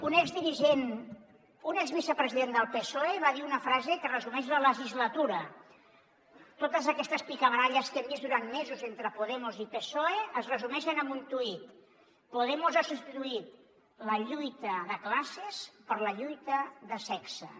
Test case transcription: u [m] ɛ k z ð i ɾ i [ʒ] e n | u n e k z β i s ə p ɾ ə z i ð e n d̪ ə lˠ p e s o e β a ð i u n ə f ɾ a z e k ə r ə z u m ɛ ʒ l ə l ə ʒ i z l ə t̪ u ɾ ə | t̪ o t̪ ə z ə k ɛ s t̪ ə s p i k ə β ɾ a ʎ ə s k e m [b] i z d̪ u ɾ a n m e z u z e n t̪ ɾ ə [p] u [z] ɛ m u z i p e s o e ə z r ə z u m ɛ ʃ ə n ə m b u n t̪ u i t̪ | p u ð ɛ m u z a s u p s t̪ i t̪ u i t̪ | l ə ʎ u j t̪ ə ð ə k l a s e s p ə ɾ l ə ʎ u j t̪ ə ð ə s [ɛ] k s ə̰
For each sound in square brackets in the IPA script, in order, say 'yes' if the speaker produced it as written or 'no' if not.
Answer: no, yes, yes, yes, no, yes

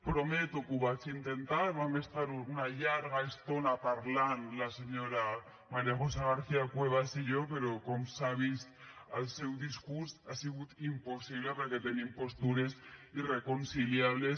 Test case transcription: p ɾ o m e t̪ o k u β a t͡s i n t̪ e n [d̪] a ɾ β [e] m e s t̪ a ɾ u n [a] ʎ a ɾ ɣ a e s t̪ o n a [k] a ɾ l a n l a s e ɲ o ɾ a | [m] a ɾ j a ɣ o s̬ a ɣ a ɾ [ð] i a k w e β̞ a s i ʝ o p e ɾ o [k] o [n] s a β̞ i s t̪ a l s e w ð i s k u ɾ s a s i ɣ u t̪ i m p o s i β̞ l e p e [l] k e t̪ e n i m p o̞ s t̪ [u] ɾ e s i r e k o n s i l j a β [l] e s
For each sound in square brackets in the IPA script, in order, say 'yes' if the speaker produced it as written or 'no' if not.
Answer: no, no, yes, no, yes, no, yes, no, no, yes, yes

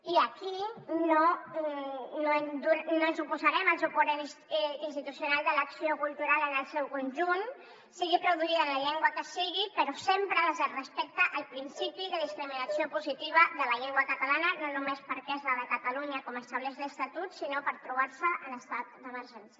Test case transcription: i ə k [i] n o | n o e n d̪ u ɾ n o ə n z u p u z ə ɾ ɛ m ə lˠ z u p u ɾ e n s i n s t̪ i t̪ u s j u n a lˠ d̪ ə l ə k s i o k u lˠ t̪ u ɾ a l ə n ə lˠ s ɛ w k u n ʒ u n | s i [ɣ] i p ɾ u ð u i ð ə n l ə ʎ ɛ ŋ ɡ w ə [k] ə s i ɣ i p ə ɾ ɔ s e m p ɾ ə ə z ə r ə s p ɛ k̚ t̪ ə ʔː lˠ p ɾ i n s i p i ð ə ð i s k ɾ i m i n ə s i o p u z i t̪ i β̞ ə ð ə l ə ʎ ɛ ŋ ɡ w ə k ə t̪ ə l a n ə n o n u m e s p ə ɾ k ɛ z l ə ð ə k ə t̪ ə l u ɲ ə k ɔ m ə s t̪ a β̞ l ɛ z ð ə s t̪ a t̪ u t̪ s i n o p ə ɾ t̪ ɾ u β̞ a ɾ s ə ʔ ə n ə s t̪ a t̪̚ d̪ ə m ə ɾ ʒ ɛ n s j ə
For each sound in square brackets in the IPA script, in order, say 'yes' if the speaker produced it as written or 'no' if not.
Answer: yes, yes, yes

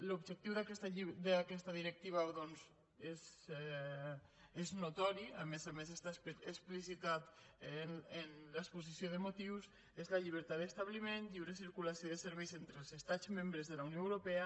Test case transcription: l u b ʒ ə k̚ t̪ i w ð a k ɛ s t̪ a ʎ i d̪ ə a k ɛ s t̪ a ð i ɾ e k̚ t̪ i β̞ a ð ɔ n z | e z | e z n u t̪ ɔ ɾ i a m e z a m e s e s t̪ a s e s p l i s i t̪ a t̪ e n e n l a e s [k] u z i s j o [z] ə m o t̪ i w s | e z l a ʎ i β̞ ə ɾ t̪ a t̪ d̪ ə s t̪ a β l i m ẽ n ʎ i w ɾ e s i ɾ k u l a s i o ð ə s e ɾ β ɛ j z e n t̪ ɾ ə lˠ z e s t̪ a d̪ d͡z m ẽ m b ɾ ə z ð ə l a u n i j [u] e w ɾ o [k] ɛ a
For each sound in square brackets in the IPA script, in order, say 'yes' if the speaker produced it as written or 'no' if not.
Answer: no, no, no, no

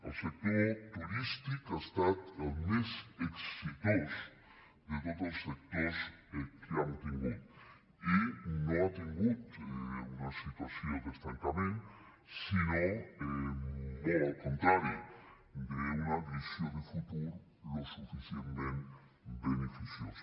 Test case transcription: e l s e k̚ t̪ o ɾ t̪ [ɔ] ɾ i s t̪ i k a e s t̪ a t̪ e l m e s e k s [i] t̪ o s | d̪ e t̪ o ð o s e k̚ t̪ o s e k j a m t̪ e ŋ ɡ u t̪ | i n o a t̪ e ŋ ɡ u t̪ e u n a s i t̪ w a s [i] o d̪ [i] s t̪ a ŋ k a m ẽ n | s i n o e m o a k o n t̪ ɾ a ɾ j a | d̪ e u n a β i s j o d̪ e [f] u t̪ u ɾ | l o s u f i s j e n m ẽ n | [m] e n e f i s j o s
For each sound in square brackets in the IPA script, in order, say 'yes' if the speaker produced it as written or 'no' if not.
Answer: no, yes, no, no, yes, no

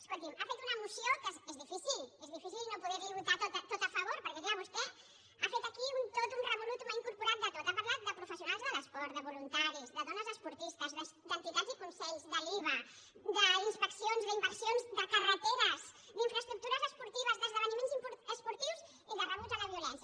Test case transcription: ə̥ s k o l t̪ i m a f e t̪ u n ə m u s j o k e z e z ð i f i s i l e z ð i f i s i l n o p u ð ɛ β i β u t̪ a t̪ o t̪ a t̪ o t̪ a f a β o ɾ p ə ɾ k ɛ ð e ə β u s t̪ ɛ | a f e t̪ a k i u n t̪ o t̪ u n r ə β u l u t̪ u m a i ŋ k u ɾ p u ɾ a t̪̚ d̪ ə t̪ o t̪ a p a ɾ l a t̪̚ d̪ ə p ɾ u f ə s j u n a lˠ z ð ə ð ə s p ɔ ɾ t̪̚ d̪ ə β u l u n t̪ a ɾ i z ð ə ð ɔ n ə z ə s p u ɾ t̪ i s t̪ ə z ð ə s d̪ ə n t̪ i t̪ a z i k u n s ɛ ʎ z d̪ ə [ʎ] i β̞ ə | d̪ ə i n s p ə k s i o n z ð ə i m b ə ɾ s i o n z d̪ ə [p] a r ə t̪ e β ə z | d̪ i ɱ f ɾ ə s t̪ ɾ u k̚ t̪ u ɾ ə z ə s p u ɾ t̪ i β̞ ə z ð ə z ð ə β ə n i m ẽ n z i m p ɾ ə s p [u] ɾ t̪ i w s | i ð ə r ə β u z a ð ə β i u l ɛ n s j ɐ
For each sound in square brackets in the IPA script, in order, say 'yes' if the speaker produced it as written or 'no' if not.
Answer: no, no, yes

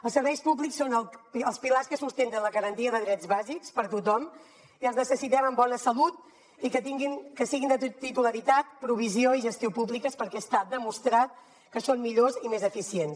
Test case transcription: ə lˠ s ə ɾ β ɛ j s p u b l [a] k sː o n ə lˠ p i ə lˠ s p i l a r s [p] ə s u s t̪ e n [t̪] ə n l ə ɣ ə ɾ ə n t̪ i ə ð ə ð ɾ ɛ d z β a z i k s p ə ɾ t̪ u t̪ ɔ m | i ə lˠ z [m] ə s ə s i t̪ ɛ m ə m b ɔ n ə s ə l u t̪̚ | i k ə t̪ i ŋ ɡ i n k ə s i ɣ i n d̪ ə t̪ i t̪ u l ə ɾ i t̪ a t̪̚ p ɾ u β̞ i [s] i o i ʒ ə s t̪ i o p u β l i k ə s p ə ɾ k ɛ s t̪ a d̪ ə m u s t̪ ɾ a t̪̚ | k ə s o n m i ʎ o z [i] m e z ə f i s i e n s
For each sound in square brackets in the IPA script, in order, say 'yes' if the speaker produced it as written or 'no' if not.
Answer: no, no, yes, no, no, yes

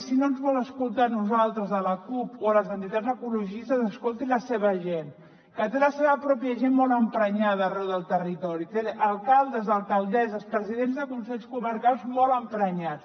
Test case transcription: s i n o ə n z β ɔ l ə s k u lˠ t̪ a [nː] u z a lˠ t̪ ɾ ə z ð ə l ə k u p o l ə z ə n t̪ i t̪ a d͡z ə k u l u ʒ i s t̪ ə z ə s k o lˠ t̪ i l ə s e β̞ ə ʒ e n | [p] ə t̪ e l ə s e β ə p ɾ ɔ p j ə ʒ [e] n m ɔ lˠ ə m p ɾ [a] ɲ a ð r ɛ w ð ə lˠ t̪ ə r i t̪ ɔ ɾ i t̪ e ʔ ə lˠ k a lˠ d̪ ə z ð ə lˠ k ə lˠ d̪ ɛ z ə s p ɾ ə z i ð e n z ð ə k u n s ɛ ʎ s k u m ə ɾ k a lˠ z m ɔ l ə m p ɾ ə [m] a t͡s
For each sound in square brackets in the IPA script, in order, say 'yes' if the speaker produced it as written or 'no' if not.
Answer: no, no, yes, no, no

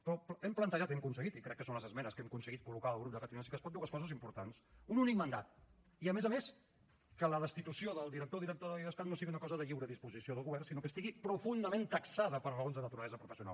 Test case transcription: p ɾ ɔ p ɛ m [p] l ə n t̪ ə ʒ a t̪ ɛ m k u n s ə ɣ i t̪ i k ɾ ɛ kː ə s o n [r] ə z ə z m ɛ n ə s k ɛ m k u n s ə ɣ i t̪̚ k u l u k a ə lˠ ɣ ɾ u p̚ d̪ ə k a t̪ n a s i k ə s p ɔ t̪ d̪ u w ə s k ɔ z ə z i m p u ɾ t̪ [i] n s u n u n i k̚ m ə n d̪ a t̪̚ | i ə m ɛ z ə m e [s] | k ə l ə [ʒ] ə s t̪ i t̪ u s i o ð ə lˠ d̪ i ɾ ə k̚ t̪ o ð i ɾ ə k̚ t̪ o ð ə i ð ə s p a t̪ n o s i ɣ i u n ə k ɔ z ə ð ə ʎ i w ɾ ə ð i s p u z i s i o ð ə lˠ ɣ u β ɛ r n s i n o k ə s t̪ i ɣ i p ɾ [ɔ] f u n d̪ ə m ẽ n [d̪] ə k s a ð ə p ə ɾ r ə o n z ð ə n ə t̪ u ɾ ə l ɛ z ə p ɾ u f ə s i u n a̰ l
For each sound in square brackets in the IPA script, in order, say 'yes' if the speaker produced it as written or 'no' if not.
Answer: yes, no, no, yes, no, no, no

